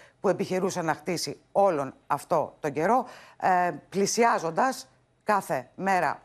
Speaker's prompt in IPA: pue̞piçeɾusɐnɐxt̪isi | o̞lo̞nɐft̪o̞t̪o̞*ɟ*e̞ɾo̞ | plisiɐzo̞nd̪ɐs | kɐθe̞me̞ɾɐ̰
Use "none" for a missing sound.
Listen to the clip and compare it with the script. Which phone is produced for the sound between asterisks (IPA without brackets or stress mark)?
ɟ